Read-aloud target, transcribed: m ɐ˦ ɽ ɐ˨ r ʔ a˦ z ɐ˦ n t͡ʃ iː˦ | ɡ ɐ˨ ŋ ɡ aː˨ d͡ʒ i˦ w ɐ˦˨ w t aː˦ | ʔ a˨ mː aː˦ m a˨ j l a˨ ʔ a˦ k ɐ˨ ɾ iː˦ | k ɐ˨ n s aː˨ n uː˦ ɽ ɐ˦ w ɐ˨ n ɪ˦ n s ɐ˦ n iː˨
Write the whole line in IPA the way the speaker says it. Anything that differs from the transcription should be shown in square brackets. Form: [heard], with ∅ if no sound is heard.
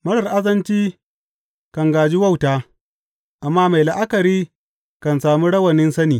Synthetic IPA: m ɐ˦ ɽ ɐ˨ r ʔ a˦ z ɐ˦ n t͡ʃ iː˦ | [k] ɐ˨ ŋ ɡ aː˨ d͡ʒ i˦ w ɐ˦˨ w t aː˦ | ʔ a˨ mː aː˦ m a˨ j l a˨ ʔ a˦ k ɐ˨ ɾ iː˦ | k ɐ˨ n s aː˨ [m] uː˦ ɽ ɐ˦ w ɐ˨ n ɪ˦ n s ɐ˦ n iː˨